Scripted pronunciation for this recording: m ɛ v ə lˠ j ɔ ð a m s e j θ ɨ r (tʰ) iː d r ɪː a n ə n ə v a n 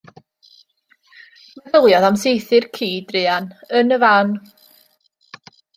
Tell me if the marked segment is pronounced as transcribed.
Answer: no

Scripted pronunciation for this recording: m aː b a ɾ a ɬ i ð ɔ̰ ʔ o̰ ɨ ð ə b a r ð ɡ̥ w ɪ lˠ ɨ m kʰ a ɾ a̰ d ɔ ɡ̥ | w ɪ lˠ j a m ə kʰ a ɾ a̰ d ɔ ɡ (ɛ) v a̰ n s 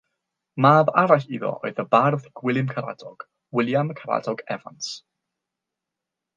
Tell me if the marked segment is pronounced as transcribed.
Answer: yes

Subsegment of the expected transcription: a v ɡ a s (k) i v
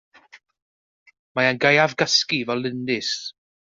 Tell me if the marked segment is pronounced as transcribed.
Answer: yes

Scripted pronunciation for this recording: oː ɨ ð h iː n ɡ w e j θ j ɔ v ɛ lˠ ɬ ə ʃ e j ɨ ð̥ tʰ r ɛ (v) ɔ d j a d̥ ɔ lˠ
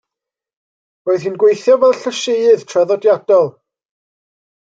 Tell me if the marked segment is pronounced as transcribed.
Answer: no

